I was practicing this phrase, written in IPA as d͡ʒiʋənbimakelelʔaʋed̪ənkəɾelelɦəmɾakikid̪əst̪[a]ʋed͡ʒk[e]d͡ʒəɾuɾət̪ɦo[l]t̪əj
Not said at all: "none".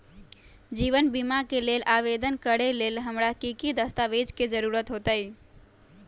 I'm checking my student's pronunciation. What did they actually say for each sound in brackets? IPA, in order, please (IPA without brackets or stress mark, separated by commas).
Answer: a, e, none